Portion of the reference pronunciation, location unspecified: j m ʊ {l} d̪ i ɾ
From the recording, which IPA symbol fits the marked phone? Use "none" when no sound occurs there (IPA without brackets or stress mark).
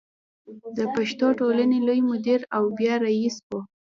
none